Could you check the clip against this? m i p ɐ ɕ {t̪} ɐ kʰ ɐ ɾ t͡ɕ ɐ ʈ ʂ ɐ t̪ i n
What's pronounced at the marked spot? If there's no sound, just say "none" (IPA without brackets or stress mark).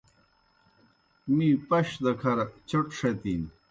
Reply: d̪